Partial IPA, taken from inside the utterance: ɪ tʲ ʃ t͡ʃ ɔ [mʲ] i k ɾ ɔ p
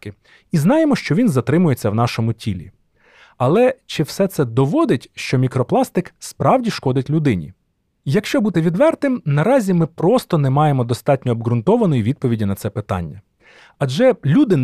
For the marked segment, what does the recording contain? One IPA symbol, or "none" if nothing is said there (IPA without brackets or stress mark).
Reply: mʲ